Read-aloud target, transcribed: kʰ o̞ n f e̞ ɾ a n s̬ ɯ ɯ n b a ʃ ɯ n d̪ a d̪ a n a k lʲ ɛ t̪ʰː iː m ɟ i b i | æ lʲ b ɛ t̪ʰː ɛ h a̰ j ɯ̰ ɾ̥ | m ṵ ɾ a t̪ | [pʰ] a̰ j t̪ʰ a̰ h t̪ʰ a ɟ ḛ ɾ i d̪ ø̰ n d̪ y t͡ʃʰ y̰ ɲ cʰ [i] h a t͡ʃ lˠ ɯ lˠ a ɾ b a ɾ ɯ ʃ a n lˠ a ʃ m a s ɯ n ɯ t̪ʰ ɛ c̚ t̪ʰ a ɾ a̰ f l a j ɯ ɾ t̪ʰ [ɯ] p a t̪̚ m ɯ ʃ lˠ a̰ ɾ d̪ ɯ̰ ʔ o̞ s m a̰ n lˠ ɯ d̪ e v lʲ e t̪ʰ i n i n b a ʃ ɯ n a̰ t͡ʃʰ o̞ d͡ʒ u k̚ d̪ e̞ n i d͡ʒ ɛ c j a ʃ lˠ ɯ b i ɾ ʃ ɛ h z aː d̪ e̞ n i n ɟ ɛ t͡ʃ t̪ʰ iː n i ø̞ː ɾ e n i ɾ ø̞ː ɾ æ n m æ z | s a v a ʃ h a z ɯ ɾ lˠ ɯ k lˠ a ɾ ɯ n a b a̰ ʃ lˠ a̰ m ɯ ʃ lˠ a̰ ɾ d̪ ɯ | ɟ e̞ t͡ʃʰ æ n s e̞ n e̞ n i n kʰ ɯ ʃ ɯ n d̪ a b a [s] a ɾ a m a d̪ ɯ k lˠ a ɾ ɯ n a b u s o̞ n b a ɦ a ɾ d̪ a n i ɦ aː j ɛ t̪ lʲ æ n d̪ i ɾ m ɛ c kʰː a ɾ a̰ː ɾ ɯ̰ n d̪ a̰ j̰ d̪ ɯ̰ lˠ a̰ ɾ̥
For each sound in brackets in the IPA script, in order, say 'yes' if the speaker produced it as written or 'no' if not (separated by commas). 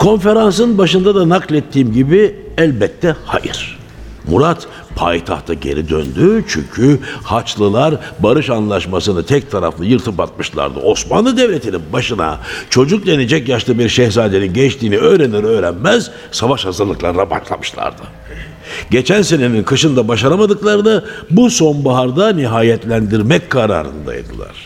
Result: yes, no, yes, no